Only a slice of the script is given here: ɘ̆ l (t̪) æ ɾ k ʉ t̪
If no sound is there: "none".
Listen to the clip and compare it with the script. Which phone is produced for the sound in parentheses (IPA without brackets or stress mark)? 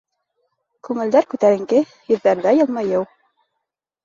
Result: d̪